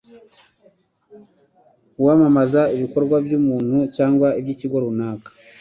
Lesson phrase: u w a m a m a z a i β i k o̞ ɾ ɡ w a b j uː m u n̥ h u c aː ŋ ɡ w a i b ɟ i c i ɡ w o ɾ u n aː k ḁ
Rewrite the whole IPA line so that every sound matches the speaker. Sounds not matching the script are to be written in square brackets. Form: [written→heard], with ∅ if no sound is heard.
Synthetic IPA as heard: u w a m a m a z a i β i k o̞ ɾ ɡ w a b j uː m [u→uː] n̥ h u c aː ŋ ɡ w a i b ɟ i c i ɡ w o ɾ u n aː k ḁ

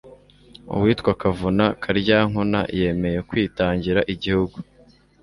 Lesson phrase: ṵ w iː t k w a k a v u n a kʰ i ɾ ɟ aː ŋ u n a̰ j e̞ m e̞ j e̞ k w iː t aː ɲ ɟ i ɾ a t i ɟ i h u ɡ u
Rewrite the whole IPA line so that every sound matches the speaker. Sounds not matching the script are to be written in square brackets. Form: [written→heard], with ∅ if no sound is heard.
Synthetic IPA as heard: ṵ w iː t k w a k a v u n a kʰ [i→a] ɾ ɟ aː ŋ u n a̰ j e̞ m e̞ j e̞ k w iː t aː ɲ ɟ i ɾ a [t→ʔ] i ɟ i h u ɡ u

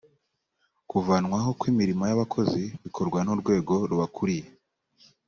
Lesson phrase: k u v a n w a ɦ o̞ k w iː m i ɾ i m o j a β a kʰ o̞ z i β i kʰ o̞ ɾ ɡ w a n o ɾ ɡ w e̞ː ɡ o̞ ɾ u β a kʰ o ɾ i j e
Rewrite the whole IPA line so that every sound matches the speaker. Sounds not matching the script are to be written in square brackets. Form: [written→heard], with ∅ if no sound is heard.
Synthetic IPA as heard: k u v a n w a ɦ o̞ k w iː m i ɾ i m o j a β a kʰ o̞ z i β i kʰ o̞ ɾ ɡ w a n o ɾ ɡ w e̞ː ɡ o̞ ɾ u β a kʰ [o→u] ɾ i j e

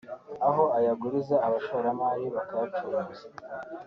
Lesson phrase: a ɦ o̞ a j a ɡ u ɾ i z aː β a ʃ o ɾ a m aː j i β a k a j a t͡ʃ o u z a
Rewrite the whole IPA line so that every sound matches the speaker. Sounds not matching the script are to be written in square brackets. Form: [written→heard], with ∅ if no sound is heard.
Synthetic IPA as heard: a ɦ o̞ a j a ɡ u ɾ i z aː β a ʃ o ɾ a m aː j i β a k a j a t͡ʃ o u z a

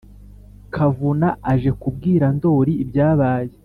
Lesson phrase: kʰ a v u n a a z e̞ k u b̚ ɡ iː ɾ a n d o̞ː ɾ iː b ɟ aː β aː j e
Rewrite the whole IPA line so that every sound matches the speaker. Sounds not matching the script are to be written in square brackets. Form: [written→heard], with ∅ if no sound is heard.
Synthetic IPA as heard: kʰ a v u n a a [z→ʒ] e̞ k u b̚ ɡ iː ɾ a n d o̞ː ɾ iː b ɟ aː β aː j e

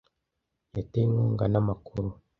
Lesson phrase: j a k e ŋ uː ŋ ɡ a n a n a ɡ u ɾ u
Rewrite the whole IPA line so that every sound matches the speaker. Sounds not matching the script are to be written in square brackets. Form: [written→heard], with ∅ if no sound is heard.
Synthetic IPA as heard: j a [k→t] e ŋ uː ŋ ɡ a n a [n→m] a [ɡ→k] u ɾ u

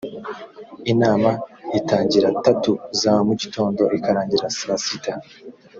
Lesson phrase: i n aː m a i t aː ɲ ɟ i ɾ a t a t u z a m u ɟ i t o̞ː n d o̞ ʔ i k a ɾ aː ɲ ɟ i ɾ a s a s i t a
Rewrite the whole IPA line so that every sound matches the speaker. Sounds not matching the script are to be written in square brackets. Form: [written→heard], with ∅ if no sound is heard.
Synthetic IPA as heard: i n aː m a i t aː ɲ ɟ i ɾ a t a t u z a m u ɟ i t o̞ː n d o̞ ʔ i k a ɾ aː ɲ ɟ i ɾ a s a s i t a

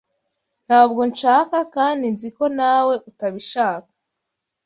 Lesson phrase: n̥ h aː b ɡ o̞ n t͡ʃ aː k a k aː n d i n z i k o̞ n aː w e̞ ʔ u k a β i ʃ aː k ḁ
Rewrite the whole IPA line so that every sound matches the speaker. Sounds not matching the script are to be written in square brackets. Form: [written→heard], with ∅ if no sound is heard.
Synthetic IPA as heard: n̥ h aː b ɡ o̞ n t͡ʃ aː k a k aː n d i n z i k o̞ n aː w e̞ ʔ u [k→t] a β i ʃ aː k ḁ

